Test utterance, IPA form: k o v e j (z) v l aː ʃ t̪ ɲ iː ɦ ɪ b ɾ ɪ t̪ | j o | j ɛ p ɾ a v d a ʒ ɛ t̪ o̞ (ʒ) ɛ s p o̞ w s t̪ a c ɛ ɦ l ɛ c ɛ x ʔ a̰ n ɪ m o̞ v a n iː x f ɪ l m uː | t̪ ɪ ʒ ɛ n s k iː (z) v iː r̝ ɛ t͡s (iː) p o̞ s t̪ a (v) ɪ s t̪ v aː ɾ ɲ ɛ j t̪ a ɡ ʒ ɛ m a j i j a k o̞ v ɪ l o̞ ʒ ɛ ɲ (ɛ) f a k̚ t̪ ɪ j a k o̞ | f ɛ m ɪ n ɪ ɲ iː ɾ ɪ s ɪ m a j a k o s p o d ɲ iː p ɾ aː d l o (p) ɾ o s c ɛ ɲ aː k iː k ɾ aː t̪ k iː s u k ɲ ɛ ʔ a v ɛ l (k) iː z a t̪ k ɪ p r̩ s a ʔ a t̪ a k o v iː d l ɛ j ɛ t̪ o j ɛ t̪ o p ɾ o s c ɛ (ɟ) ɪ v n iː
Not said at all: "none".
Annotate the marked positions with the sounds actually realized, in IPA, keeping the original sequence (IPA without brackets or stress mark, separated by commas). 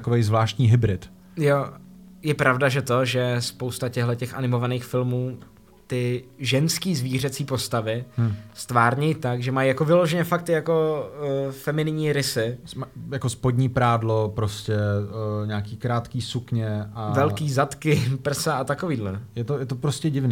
z, ʒ, z, iː, v, ɛ, p, k, ɟ